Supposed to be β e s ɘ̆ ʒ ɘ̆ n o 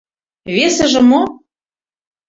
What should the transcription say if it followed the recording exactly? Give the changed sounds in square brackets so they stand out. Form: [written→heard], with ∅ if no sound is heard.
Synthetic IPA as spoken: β e s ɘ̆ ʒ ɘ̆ [n→m] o